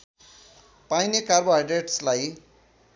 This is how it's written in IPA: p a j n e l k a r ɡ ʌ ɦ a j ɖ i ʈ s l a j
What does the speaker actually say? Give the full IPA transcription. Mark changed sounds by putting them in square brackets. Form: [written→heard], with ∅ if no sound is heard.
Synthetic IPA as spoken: p a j n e [l→∅] k a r [ɡ→b] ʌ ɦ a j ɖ [i→e] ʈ s l a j